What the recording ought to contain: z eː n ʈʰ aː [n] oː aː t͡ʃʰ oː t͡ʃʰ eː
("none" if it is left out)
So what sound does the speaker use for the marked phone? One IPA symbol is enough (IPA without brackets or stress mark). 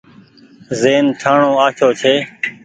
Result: ɳ